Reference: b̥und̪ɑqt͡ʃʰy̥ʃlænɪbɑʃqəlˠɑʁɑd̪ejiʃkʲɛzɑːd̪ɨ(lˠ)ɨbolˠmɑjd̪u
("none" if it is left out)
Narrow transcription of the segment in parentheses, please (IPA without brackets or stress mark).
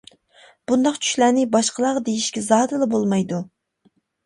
lˠ